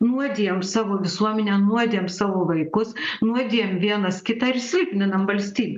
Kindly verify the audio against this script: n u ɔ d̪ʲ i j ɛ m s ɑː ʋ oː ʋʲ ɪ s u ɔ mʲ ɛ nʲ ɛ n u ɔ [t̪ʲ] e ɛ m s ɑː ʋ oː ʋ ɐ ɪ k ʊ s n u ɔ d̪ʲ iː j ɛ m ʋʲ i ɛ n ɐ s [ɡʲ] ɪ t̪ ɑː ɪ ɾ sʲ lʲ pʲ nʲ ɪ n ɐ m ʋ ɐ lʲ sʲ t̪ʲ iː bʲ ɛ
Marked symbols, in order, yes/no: no, no

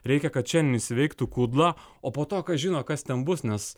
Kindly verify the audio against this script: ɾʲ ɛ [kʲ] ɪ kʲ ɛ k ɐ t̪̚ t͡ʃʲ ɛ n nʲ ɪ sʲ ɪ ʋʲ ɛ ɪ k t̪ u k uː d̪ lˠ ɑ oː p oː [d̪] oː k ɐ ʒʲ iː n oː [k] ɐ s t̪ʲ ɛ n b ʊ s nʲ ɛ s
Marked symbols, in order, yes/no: no, no, yes

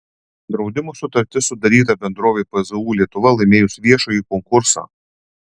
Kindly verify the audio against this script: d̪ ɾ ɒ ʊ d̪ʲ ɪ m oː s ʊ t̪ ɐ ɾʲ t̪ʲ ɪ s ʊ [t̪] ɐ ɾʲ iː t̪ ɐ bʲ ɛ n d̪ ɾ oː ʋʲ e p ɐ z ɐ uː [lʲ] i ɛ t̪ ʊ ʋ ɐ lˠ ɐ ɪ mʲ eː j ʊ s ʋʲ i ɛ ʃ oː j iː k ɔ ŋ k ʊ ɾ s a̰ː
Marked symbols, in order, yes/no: no, yes

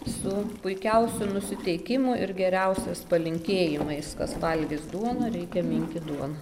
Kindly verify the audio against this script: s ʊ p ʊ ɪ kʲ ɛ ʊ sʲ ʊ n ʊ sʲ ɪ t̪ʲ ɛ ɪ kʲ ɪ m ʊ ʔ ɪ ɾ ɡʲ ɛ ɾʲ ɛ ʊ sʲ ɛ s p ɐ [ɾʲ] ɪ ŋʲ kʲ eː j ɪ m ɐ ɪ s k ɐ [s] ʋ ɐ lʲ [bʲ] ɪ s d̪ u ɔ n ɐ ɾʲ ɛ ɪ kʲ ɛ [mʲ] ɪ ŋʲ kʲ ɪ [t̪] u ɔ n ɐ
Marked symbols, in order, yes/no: no, yes, no, yes, no

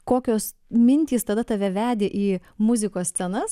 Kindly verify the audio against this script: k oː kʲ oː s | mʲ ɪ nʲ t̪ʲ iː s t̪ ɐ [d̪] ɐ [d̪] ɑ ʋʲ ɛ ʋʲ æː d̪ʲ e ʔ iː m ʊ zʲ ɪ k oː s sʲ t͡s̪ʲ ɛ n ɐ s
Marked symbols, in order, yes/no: yes, no

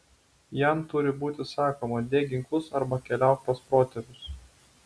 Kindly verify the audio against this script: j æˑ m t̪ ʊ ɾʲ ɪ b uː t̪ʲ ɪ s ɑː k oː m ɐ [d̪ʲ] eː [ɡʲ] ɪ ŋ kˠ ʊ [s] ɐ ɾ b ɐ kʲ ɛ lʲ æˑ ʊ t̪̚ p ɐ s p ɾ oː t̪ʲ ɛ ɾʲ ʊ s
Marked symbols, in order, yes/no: yes, yes, yes

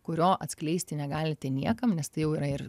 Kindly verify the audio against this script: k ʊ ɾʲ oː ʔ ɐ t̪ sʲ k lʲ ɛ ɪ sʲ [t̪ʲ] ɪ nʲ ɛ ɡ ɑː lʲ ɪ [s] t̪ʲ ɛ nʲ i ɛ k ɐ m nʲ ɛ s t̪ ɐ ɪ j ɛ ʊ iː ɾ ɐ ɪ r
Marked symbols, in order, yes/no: yes, no

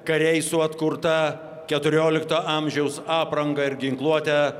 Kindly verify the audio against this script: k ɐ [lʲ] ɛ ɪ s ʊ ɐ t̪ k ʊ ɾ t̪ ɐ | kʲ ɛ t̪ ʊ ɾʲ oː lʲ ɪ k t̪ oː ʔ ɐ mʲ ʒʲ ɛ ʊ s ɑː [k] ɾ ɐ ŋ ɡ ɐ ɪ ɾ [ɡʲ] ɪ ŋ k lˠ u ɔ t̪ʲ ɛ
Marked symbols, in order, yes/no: no, no, yes

